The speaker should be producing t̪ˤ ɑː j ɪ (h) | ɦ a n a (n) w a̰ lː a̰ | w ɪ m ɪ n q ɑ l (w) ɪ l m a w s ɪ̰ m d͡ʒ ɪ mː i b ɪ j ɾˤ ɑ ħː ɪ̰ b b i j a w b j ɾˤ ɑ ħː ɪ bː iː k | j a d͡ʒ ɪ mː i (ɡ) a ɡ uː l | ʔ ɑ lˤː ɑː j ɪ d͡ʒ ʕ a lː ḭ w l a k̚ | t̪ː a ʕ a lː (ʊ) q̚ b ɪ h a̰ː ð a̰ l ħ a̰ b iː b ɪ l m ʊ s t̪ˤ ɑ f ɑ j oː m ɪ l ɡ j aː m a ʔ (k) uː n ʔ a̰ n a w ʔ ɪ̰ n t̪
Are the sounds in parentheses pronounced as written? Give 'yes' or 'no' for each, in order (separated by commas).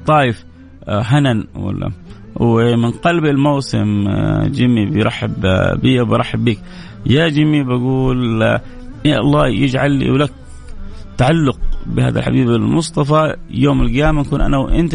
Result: no, yes, no, no, yes, yes